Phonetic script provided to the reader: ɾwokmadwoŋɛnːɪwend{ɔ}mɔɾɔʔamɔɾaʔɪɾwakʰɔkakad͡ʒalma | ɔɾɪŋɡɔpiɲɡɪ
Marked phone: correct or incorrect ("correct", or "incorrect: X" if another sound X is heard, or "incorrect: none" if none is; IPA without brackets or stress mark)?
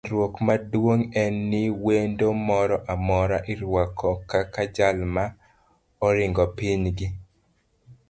incorrect: o